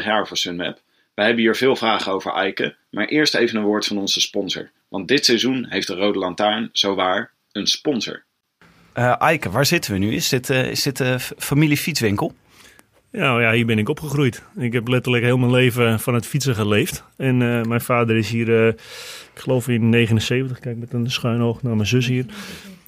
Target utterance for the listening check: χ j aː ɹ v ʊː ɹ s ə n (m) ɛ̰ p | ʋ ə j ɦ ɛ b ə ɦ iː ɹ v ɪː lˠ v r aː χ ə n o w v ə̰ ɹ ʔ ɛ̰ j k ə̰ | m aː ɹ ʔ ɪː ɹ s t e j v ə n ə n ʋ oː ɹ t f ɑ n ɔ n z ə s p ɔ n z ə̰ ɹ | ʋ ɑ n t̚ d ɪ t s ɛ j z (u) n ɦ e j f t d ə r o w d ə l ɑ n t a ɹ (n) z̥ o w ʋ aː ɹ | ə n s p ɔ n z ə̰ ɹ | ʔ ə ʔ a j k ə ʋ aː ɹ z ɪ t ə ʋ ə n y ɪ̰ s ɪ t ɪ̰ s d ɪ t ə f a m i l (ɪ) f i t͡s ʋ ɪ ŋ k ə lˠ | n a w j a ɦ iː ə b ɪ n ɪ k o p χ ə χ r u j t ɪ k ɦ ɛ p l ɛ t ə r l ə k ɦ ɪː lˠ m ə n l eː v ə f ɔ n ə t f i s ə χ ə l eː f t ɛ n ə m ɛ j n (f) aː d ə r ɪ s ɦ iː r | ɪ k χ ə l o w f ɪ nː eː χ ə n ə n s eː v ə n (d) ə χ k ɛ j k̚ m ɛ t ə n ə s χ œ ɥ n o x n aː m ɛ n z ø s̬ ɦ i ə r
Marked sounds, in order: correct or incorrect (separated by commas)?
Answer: correct, correct, correct, incorrect, correct, incorrect